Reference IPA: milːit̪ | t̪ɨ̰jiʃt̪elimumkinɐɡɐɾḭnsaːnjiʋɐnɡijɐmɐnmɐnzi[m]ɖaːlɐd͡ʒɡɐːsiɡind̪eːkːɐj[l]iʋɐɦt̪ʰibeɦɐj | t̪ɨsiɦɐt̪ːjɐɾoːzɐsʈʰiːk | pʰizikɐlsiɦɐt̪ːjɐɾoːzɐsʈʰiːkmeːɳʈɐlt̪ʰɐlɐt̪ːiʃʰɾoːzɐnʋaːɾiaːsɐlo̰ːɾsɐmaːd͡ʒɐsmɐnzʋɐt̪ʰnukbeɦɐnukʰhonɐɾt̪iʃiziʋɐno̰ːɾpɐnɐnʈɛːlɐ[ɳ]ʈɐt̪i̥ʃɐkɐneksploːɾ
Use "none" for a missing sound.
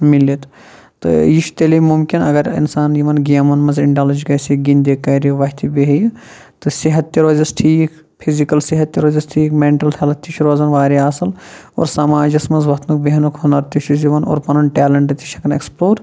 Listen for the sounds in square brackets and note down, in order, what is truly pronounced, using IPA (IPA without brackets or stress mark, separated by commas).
ɳ, ɾ, ɳ